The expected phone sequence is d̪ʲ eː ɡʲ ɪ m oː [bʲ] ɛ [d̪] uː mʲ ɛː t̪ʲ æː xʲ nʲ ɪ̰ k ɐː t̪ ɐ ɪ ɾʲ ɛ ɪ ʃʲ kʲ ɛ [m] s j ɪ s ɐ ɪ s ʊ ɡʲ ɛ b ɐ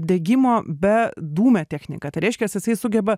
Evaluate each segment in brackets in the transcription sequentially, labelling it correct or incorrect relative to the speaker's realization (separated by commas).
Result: correct, correct, incorrect